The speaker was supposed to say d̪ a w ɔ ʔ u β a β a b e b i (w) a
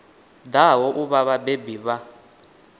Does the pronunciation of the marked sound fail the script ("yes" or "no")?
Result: yes